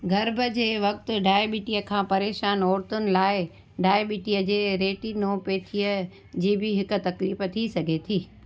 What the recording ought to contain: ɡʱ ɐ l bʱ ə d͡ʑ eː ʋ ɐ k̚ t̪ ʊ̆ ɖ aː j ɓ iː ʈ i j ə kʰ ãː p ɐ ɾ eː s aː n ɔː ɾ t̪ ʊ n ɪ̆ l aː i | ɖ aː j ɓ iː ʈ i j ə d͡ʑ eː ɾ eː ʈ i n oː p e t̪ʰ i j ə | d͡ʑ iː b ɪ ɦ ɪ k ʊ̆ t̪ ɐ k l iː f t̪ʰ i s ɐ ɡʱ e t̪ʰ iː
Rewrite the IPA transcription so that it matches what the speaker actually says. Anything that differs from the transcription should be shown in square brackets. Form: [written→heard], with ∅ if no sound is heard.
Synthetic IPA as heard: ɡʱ ɐ [l→ɾ] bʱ ə d͡ʑ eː ʋ ɐ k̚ t̪ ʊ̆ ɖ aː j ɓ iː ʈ i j ə kʰ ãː p ɐ ɾ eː [s→ʃ] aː n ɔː ɾ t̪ ʊ n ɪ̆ l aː [i→ɪ] | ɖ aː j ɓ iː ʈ i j ə d͡ʑ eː ɾ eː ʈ i n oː p e t̪ʰ i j ə | d͡ʑ iː b ɪ ɦ ɪ k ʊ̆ t̪ ɐ k l iː f t̪ʰ i s ɐ ɡʱ e t̪ʰ iː

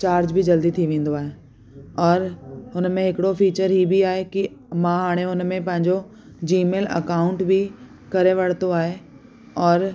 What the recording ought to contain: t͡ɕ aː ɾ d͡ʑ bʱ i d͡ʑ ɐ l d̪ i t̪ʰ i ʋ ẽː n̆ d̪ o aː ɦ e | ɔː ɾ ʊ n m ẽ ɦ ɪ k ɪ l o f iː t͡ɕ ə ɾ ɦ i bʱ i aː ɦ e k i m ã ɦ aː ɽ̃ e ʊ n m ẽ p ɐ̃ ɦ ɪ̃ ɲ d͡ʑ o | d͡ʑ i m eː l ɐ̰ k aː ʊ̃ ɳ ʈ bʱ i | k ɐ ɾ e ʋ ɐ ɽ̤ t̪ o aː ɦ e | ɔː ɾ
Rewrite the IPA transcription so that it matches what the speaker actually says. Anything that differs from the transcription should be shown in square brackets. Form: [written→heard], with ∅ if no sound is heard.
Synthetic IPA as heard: t͡ɕ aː ɾ d͡ʑ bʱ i d͡ʑ ɐ l d̪ i t̪ʰ i ʋ ẽː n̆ d̪ o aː ɦ e | ɔː ɾ ʊ n m ẽ ɦ ɪ k ɪ [l→ɽ] o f iː t͡ɕ ə ɾ ɦ i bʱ i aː ɦ e k i m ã ɦ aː ɽ̃ e ʊ n m ẽ p ɐ̃ ɦ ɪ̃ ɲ d͡ʑ o | d͡ʑ [i→iː] m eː l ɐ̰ k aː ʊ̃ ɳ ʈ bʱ i | k ɐ ɾ e ʋ ɐ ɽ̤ t̪ o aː ɦ e | ɔː ɾ

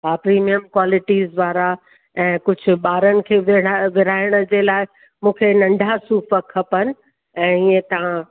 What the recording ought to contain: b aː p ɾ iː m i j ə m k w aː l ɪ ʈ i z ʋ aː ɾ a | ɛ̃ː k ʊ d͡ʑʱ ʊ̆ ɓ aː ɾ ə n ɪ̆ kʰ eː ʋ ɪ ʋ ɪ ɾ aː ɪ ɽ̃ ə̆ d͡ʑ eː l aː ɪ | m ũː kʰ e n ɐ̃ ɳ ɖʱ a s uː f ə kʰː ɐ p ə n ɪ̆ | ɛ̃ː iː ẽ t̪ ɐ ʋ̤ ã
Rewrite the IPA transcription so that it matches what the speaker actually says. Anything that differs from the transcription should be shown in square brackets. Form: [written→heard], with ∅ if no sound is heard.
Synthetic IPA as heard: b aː p ɾ iː m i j ə m k w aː l ɪ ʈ i z ʋ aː ɾ a | ɛ̃ː k ʊ d͡ʑʱ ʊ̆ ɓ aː ɾ ə n ɪ̆ kʰ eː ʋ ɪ ʋ ɪ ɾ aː ɪ ɽ̃ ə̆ d͡ʑ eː l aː ɪ | m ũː kʰ e n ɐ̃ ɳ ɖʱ a s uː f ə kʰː ɐ p ə n ɪ̆ | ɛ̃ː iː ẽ t̪ ɐ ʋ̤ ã

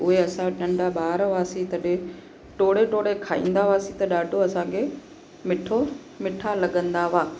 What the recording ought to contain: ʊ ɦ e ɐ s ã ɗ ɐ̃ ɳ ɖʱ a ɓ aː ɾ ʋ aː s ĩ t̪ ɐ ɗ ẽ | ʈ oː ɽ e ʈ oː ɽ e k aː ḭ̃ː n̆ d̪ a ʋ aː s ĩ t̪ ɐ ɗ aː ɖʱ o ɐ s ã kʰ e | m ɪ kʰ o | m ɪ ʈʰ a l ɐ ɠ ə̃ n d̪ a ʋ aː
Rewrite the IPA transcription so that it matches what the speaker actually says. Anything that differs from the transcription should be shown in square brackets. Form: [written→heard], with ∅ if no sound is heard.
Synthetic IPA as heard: ʊ ɦ e ɐ s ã ɗ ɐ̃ ɳ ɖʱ a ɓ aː ɾ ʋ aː s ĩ t̪ ɐ ɗ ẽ | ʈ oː ɽ e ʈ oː ɽ e [k→kʰ] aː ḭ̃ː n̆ d̪ a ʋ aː s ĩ t̪ ɐ ɗ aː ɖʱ o ɐ s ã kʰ e | m ɪ [kʰ→ʈʰ] o | m ɪ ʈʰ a l ɐ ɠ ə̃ n d̪ a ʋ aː

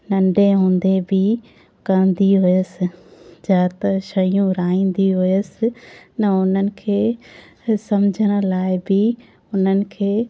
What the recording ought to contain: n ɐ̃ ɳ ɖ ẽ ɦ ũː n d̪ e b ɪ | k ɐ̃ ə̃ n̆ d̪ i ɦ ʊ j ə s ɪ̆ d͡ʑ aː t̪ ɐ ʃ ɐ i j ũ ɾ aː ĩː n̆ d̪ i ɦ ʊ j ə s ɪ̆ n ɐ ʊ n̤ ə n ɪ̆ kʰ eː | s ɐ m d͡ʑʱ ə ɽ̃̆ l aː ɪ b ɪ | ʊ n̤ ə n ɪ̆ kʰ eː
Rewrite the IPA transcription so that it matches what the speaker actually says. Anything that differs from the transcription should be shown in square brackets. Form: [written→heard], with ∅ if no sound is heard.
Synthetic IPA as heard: n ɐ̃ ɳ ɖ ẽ ɦ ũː n d̪ e b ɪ | k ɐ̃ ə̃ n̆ d̪ i ɦ ʊ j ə s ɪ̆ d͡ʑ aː t̪ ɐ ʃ ɐ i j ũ ɾ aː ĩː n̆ d̪ i ɦ ʊ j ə s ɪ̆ n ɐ ʊ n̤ ə n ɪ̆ kʰ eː | s ɐ m d͡ʑʱ ə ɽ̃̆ l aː ɪ b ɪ | ʊ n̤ ə n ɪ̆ kʰ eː

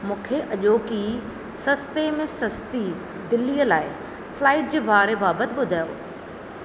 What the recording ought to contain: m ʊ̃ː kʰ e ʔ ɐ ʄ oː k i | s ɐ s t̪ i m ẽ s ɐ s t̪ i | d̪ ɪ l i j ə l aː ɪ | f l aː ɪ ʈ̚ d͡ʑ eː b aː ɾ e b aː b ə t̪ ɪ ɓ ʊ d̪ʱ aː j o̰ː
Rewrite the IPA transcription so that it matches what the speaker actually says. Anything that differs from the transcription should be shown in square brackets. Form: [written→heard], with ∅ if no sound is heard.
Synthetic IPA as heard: m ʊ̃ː kʰ e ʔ ɐ ʄ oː k i | s ɐ s t̪ [i→e] m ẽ s ɐ s t̪ i | d̪ ɪ l i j ə l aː ɪ | f l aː ɪ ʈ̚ d͡ʑ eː b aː ɾ e b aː b ə t̪ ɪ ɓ ʊ d̪ʱ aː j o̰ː

